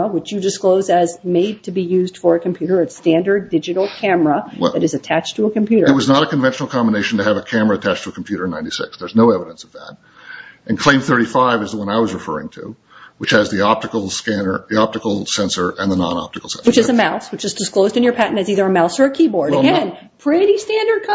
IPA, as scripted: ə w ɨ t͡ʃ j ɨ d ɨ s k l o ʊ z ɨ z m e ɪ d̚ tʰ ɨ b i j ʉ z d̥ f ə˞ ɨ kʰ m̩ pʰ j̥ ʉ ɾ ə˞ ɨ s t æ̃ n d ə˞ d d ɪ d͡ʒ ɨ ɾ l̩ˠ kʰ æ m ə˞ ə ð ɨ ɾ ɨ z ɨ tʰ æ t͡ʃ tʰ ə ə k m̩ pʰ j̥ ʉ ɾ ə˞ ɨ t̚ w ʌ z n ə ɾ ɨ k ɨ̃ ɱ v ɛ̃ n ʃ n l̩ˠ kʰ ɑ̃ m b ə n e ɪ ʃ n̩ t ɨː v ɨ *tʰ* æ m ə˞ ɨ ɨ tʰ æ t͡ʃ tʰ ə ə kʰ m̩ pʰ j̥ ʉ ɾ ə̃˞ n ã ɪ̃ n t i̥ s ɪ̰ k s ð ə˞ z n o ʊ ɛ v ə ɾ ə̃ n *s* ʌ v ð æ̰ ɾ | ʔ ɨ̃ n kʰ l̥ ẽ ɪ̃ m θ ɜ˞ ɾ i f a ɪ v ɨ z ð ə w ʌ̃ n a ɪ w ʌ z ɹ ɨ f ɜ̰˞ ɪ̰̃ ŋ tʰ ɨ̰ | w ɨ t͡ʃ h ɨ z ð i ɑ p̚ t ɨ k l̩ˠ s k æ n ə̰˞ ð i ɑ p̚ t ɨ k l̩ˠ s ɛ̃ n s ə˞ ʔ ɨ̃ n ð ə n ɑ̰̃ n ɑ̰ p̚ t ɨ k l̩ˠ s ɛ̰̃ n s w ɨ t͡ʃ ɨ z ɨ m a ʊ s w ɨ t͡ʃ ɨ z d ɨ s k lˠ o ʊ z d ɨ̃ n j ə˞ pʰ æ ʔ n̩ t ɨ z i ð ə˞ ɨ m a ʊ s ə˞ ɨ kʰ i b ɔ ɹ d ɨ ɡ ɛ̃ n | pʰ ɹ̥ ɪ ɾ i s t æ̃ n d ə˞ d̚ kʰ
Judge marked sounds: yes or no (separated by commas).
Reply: no, yes